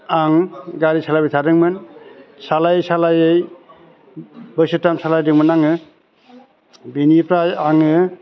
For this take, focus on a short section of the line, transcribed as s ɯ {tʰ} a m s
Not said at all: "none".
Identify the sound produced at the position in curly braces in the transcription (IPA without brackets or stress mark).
t